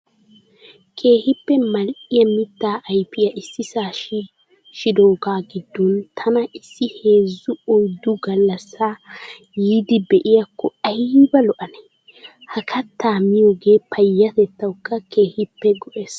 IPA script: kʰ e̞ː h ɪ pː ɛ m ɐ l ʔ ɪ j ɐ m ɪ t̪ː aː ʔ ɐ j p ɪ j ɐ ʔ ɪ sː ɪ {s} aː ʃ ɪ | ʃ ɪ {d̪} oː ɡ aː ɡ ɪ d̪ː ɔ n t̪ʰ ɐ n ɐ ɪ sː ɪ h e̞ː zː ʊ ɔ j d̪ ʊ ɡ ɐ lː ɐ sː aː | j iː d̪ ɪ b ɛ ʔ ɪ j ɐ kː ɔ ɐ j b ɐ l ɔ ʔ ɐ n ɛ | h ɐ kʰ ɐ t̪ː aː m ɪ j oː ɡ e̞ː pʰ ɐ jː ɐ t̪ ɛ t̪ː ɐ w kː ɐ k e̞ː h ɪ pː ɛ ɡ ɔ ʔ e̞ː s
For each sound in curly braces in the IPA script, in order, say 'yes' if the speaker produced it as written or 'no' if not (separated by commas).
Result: yes, yes